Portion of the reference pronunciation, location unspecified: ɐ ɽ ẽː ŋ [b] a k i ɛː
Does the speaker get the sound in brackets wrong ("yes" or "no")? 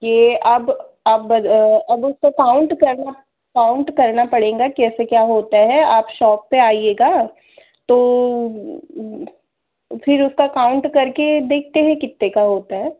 yes